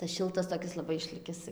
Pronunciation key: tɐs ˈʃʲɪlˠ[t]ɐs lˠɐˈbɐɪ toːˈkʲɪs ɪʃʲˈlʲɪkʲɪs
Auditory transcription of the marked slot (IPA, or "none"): t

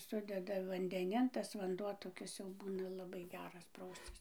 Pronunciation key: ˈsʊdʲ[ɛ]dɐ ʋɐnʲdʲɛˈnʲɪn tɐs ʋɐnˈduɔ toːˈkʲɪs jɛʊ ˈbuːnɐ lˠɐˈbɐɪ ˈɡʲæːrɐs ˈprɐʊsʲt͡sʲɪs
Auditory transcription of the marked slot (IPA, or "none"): ɛ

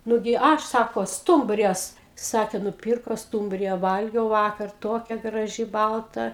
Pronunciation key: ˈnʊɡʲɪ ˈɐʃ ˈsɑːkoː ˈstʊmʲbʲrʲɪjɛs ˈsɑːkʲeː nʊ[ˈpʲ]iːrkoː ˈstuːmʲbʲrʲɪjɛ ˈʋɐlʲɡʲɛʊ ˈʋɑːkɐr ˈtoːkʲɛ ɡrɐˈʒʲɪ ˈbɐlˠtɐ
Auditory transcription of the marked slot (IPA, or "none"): pʲ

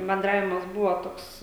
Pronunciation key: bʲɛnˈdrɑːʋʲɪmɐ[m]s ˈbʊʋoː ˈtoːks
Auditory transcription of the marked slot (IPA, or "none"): none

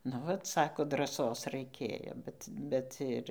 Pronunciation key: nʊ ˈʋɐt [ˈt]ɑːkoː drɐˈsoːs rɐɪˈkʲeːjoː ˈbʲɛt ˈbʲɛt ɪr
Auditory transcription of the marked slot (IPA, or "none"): s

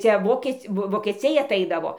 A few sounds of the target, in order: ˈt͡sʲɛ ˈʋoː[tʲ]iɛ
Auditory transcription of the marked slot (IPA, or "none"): kʲ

